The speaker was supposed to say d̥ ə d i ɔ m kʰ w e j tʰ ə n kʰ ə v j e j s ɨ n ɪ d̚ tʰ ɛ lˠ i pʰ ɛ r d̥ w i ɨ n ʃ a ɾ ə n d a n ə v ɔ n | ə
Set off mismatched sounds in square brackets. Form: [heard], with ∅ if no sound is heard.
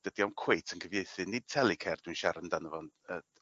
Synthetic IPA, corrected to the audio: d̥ ə d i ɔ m kʰ w e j tʰ ə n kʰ ə v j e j [θ] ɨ n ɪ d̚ tʰ ɛ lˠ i [kʰ] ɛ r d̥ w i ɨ n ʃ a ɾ ə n d a n ə v ɔ n | ə